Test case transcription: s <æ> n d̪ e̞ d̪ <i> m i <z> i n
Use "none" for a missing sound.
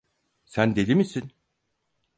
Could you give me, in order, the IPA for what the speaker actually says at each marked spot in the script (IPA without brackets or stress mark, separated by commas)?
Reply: æ, i, s